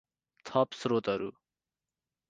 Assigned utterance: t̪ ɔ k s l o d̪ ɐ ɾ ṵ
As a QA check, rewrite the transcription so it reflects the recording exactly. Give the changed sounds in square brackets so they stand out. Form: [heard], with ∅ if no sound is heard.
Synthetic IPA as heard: [t̪ʰ] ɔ [p] s [ɾ] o [t̪] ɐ ɾ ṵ